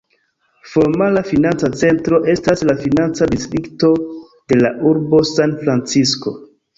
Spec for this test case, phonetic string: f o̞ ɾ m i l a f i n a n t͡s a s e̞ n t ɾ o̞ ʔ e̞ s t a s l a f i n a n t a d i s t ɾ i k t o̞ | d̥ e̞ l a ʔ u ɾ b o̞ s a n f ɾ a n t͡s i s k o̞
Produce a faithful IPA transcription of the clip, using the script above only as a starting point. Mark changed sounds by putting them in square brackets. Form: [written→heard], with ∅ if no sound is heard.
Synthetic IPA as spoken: f o̞ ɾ m [i→a] l a f i n a n t͡s a [s→t͡s] e̞ n t ɾ o̞ ʔ e̞ s t a s l a f i n a n [t→t͡s] a d i s t ɾ i k t o̞ | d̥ e̞ l a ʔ u ɾ b o̞ s a n f ɾ a n t͡s i s k o̞